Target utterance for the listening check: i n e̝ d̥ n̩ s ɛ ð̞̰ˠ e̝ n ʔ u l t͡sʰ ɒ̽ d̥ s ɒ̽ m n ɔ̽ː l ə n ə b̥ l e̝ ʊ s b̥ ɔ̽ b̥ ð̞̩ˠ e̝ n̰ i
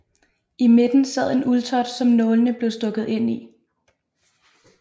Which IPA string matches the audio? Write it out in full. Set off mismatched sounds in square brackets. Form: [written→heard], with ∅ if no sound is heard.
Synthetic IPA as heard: i [n→m] e̝ d̥ n̩ s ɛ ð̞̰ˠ e̝ n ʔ u l t͡sʰ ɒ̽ d̥ s ɒ̽ m n ɔ̽ː l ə n ə b̥ l e̝ ʊ s [b̥→d̥] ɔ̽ [b̥→ɡ̥] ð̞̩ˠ e̝ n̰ i